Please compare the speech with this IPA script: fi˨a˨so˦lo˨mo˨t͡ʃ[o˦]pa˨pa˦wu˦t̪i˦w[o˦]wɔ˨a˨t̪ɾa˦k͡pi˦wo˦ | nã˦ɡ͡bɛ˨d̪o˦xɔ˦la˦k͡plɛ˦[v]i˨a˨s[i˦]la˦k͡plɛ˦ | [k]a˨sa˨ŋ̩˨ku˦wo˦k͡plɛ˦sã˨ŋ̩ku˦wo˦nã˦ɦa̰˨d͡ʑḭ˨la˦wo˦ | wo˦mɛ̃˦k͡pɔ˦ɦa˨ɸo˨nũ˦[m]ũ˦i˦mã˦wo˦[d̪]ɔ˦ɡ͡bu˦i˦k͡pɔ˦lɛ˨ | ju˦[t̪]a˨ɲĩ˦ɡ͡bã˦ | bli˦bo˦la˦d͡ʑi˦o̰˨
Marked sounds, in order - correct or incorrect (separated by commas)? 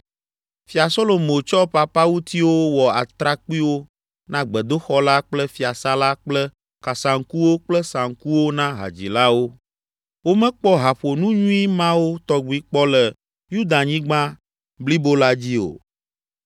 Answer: incorrect, correct, incorrect, incorrect, correct, incorrect, incorrect, incorrect